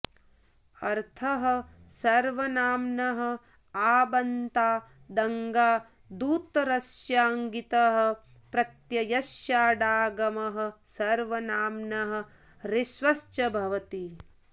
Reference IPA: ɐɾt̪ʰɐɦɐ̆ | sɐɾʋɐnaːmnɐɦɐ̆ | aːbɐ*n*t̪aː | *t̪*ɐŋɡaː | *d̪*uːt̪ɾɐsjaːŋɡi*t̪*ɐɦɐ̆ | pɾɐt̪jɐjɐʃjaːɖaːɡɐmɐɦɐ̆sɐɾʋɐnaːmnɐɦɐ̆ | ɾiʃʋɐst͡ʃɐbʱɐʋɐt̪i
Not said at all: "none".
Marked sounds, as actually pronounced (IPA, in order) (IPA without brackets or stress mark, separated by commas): n, d̪, d̪, t̪